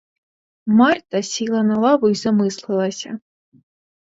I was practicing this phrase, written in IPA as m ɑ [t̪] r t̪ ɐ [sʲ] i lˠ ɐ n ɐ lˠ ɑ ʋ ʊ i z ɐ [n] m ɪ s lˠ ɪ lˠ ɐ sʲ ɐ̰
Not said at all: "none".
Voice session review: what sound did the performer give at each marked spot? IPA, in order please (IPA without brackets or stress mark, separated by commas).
none, sʲ, none